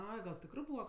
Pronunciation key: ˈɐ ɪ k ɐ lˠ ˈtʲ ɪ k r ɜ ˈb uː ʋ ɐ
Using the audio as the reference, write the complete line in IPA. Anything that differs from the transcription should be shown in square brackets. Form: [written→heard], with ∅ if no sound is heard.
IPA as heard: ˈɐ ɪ [k→ɡ] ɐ lˠ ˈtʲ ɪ k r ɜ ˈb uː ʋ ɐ